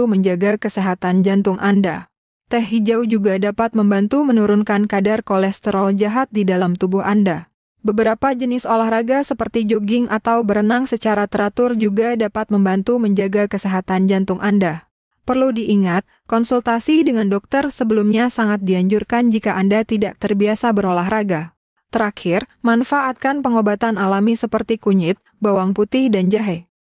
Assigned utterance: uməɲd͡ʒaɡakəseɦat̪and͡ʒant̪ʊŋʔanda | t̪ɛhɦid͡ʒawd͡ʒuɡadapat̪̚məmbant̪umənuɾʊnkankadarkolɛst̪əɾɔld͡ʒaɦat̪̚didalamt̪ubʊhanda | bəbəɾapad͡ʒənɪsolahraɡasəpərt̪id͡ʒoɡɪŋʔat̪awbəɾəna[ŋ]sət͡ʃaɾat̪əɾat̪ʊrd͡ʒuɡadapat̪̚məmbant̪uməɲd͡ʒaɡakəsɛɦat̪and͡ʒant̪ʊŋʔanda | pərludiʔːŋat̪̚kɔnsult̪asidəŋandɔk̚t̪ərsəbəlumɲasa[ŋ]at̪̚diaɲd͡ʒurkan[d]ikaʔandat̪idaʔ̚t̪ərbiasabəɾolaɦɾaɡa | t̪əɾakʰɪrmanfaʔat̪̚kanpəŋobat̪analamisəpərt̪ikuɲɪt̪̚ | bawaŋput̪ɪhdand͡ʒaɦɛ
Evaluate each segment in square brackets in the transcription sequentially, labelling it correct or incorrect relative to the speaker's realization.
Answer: correct, correct, incorrect: d͡ʒ

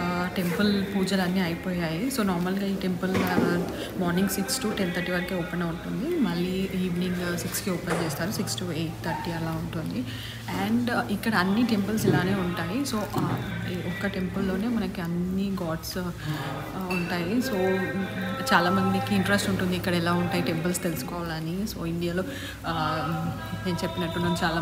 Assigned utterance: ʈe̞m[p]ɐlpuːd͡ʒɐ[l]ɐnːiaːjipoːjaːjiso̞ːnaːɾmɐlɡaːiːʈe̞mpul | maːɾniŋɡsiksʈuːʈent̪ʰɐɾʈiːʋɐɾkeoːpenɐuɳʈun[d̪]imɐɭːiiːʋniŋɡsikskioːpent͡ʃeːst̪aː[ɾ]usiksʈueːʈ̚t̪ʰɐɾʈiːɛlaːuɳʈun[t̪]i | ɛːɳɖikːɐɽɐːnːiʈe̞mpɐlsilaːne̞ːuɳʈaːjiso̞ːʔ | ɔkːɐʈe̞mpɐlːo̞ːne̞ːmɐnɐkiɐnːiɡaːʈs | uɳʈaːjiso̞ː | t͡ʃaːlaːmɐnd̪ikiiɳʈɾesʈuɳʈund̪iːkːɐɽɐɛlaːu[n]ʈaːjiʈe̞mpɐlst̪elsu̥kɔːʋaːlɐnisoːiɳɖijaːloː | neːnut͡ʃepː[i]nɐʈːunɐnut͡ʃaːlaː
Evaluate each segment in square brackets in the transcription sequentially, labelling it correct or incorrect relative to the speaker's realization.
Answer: correct, correct, correct, correct, incorrect: d̪, incorrect: ɳ, correct

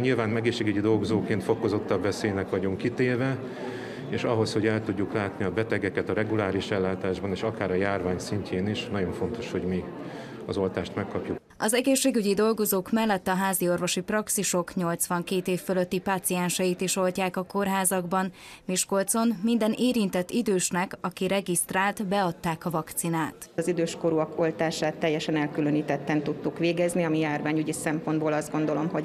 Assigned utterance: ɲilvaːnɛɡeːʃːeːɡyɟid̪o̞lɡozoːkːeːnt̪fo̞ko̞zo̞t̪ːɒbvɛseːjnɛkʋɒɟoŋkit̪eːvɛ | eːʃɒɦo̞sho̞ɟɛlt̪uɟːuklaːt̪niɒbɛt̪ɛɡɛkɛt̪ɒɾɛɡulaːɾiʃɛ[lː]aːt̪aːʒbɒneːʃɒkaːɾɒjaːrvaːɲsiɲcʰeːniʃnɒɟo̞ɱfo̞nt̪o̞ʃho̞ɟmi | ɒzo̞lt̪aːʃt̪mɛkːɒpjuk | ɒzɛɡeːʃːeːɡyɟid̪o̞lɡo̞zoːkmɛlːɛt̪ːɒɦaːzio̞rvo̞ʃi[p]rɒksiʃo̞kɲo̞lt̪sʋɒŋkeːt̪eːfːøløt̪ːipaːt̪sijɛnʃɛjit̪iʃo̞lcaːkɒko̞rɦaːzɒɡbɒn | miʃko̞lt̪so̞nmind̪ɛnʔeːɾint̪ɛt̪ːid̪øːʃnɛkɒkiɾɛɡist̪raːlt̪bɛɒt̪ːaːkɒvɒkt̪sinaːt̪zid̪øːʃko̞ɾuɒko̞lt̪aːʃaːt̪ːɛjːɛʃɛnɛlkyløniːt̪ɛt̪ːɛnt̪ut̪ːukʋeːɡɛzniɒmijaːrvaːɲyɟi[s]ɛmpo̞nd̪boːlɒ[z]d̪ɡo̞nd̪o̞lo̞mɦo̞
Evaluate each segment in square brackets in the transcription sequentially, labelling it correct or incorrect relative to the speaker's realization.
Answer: correct, correct, correct, correct

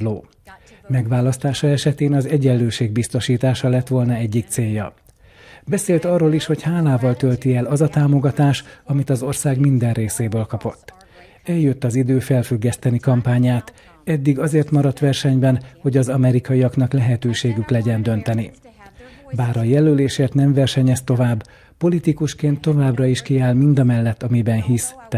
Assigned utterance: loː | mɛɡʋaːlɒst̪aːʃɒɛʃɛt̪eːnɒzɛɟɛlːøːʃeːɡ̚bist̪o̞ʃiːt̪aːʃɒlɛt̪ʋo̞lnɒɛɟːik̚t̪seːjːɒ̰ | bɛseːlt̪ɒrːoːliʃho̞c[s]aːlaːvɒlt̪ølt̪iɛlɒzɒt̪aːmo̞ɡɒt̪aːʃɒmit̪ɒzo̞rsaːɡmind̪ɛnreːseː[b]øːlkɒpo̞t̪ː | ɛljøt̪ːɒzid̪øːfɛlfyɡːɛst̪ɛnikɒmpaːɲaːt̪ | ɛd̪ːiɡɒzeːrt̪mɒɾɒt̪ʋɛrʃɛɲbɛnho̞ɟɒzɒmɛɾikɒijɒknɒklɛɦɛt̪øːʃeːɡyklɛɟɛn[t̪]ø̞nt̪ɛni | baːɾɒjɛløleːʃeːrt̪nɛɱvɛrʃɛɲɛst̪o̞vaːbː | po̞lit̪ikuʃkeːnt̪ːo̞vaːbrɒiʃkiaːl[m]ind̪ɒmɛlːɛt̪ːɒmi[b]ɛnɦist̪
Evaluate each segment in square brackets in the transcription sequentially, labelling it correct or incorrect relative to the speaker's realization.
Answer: incorrect: h, correct, incorrect: d̪, correct, correct

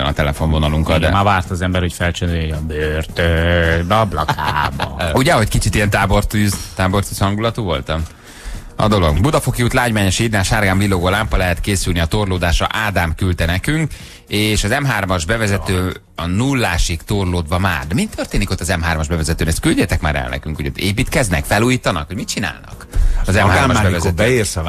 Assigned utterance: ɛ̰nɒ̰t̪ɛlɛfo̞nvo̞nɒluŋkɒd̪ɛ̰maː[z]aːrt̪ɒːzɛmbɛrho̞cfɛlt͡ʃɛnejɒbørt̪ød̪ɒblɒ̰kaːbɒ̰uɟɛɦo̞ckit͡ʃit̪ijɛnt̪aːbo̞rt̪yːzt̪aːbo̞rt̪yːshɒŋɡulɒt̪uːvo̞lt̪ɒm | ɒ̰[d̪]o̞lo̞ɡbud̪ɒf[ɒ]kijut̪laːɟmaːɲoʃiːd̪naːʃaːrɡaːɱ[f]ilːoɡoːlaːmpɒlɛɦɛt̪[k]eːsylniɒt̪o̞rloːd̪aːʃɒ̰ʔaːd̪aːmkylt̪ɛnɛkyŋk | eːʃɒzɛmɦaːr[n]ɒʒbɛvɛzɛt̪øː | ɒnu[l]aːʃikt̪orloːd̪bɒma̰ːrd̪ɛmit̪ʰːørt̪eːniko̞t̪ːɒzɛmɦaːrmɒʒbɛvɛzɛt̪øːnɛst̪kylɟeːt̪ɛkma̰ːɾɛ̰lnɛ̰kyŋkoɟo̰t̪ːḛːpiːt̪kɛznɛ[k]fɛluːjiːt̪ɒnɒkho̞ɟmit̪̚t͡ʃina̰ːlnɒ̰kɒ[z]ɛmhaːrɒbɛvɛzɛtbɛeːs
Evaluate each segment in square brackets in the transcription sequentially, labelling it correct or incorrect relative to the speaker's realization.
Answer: incorrect: v, correct, incorrect: o, incorrect: v, correct, incorrect: m, incorrect: lː, correct, correct

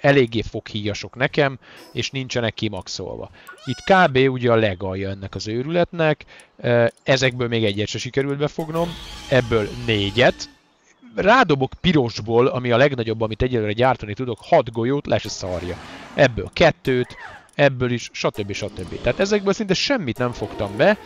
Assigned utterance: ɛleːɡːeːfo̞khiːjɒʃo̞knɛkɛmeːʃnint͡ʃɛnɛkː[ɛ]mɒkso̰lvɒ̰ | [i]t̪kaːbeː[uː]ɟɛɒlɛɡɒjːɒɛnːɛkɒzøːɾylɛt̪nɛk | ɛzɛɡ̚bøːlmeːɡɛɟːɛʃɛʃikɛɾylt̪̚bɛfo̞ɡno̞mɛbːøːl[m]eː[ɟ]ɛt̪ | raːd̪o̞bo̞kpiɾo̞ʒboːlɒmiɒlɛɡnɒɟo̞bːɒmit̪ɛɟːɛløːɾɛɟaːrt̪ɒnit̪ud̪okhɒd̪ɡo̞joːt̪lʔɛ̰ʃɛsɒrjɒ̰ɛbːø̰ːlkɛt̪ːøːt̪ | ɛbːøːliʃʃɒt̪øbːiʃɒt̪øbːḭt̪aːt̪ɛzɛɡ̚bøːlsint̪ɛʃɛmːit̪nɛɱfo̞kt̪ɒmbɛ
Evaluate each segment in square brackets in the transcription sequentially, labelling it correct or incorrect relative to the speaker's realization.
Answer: incorrect: i, correct, incorrect: u, incorrect: n, correct

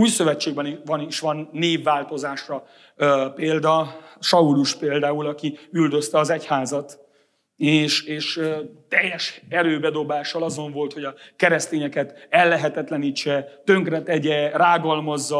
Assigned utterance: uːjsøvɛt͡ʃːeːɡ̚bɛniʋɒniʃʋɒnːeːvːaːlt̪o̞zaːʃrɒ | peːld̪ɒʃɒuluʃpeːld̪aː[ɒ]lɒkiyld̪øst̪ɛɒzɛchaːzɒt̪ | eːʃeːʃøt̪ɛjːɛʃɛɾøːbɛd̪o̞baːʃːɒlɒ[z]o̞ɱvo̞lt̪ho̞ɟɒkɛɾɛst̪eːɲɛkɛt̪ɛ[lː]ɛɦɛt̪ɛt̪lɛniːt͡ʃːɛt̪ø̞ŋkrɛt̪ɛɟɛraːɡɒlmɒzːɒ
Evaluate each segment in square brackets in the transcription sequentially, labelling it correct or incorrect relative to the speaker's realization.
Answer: incorrect: u, correct, correct

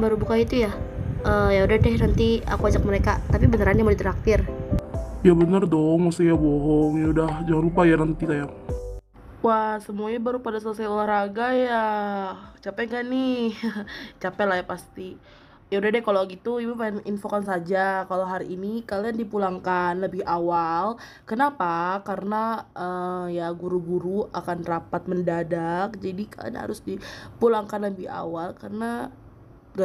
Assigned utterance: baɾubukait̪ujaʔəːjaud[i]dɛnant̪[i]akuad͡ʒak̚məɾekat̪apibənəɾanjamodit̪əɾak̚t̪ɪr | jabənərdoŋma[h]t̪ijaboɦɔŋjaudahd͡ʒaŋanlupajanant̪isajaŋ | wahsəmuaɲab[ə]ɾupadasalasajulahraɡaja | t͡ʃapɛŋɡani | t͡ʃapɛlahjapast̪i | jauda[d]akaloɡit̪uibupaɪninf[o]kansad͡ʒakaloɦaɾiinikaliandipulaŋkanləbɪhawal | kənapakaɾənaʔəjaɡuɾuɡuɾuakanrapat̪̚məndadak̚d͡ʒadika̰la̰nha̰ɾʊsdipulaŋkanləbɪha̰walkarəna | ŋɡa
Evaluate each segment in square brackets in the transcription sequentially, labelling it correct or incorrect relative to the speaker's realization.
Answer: incorrect: a, correct, incorrect: s, incorrect: a, correct, correct

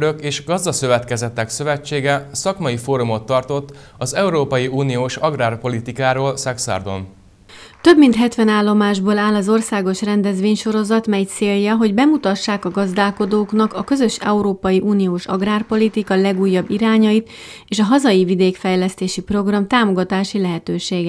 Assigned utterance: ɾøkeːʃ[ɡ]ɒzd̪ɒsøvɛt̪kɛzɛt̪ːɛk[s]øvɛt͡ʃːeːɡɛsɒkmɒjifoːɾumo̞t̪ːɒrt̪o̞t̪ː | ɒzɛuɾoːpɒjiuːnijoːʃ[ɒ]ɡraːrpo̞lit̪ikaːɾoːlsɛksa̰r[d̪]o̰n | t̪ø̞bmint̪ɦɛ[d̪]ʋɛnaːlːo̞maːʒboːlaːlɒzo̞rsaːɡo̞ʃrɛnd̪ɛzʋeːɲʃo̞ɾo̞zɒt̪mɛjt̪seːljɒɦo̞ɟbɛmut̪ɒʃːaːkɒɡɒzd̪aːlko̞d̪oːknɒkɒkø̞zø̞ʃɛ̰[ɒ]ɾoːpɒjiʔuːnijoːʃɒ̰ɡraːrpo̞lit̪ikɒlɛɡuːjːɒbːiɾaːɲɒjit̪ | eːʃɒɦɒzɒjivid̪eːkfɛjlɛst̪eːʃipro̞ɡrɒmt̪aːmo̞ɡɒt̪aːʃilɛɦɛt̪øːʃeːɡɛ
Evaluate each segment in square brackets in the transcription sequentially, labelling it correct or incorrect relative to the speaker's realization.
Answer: correct, correct, correct, correct, incorrect: t̪, incorrect: u

